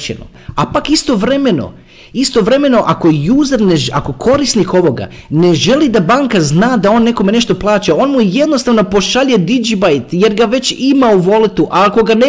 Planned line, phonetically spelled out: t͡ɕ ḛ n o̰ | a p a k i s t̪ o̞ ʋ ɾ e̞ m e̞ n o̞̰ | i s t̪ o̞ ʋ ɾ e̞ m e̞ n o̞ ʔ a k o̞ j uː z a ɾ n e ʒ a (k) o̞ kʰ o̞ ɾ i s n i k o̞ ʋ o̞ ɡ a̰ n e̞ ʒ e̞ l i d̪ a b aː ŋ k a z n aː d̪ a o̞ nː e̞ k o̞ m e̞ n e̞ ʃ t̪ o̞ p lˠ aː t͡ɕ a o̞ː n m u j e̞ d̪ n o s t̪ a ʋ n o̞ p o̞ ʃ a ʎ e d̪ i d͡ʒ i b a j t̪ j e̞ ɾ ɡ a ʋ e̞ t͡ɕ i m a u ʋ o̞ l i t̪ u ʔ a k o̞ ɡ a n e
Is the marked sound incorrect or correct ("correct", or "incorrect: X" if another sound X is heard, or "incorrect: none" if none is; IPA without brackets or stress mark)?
correct